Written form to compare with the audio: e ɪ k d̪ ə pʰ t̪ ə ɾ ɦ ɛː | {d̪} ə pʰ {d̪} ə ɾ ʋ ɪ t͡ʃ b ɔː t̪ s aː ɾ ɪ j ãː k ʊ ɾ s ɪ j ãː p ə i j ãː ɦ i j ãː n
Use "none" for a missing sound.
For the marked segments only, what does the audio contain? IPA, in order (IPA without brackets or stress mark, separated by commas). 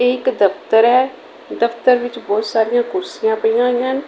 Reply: d̪, t̪